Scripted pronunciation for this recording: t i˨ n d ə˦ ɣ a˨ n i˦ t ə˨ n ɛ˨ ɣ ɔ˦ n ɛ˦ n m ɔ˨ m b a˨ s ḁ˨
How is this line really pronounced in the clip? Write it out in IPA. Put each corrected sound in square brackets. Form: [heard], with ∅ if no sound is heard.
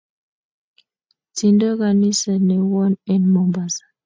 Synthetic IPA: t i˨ n d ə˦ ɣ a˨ n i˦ [s] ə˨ n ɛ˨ [w] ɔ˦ n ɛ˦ n m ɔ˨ m b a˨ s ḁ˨